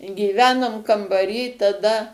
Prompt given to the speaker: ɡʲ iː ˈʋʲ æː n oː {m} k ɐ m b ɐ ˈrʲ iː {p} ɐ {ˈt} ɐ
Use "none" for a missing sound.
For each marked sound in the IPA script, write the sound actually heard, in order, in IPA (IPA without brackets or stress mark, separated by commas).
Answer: m, t, d